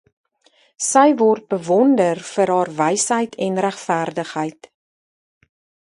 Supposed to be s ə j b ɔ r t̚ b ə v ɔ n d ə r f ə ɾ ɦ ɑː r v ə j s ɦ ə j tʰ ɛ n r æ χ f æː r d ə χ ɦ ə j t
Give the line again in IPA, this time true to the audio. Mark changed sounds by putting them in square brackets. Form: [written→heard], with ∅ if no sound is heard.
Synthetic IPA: s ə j [b→v] ɔ r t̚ b ə v ɔ n d ə r f ə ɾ ɦ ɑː r v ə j s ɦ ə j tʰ ɛ n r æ χ f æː r d ə χ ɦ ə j t